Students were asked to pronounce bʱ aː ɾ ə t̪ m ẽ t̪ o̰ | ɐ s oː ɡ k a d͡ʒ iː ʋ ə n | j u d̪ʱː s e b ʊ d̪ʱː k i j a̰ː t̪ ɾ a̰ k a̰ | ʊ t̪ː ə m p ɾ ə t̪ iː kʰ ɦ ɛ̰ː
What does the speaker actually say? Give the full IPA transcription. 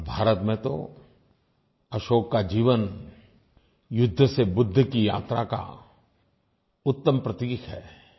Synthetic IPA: bʱ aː ɾ ə t̪ m ẽ t̪ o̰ | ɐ ʃ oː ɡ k a d͡ʒ iː ʋ ə n | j ʊ d̪ʱː s e b ʊ d̪ʱː k i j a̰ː t̪ ɾ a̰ k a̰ | ʊ t̪ː ə m p ɾ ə t̪ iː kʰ ɦ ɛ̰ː